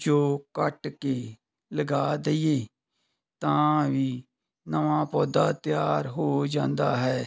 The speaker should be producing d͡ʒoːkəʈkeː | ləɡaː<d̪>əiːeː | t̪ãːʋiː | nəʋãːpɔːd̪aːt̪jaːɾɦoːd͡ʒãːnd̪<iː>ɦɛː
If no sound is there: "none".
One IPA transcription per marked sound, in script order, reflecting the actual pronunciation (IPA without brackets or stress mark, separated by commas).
d̪, aː